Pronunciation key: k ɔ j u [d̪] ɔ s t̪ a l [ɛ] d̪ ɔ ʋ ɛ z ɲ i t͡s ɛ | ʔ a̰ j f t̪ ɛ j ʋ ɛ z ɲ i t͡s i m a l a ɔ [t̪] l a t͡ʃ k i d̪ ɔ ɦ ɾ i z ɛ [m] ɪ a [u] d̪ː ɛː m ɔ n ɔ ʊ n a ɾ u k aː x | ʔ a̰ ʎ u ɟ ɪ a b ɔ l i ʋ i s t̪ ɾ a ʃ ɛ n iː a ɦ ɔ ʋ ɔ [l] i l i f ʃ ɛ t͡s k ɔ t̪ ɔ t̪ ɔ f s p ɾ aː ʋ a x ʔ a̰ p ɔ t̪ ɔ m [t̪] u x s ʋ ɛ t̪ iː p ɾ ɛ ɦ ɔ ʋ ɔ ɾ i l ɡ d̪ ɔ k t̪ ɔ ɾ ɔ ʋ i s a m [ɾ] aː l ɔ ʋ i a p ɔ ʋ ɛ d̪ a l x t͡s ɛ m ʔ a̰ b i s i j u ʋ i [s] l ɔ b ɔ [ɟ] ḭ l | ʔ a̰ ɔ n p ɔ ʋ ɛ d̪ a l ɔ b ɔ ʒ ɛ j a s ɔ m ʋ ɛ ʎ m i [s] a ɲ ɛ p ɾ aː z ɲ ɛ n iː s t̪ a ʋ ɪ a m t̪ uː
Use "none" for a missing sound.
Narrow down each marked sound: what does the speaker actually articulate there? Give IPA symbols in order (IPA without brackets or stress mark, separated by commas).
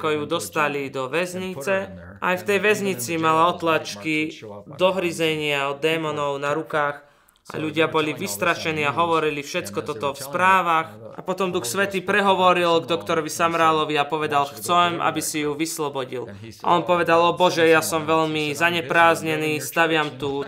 d̪, i, t̪, ɲ, ɔ, ɾ, d̪, ɾ, s, ɟ, z